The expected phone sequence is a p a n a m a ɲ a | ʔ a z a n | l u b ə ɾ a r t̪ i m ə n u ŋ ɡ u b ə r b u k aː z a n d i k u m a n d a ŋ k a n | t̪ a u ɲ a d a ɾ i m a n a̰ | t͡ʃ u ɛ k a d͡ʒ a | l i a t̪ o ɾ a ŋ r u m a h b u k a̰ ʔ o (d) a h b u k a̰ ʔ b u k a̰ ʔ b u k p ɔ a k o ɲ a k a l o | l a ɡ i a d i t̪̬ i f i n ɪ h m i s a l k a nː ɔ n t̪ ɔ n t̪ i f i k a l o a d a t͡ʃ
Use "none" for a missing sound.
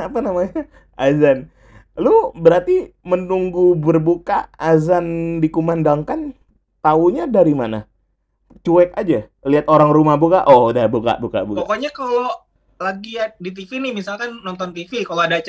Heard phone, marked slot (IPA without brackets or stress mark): d